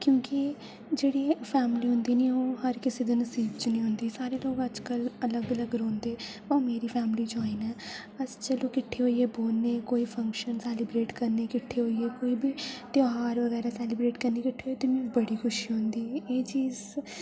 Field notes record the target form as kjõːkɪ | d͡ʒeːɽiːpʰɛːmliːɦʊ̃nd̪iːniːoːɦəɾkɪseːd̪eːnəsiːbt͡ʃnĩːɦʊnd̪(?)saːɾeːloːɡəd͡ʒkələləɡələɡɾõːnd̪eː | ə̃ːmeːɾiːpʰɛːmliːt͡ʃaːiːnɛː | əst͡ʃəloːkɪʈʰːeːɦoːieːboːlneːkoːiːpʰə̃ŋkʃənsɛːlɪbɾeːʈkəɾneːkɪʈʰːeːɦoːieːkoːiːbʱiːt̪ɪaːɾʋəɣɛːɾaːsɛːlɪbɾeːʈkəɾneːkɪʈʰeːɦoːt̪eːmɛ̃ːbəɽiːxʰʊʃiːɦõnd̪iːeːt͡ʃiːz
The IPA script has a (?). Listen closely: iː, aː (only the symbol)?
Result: iː